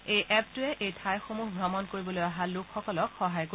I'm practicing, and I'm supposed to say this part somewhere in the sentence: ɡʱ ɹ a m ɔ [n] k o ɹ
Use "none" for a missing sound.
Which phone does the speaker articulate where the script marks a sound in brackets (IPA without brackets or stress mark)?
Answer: n